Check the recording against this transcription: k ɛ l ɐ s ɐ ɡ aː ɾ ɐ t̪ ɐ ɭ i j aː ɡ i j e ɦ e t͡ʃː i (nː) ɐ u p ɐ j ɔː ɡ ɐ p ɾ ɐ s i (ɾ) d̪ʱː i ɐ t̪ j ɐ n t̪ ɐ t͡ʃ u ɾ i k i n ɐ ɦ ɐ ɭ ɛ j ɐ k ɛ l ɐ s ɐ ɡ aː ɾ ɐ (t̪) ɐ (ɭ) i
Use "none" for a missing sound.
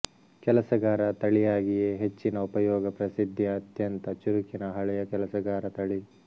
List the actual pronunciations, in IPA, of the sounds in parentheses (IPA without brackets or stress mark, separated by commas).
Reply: n, none, t̪, ɭ